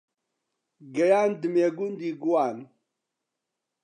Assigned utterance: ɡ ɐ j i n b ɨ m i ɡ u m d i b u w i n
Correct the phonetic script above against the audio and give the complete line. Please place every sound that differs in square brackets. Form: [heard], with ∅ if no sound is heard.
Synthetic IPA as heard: ɡ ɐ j [a] n [d] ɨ m [e] ɡ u [n] d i [ɡ] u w [a] n